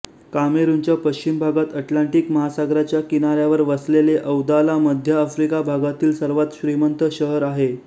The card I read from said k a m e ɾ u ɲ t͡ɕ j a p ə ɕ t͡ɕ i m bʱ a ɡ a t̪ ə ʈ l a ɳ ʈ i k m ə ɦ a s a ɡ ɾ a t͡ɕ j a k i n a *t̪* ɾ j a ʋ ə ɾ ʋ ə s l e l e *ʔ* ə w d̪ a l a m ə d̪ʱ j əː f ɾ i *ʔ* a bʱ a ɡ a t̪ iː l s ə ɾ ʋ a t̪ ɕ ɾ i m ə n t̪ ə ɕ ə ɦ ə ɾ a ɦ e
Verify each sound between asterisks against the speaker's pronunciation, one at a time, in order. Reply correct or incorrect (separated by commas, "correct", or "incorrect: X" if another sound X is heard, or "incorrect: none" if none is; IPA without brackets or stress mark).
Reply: incorrect: none, correct, incorrect: k